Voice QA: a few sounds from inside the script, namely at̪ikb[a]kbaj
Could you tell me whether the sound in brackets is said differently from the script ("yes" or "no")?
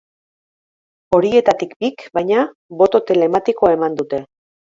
yes